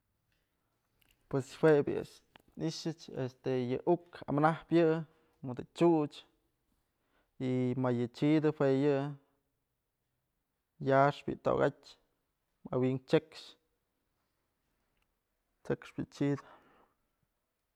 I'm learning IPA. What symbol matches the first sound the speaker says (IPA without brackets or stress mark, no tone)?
p